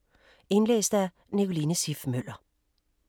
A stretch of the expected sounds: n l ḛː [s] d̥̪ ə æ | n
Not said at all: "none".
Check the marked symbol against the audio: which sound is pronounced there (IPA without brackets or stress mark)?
s